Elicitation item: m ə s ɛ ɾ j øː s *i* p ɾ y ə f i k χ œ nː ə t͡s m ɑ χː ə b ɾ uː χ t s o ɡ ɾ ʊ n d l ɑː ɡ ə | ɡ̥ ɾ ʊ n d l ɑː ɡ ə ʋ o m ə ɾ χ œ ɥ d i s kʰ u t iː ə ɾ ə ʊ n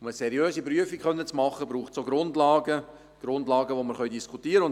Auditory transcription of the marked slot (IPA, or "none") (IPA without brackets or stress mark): i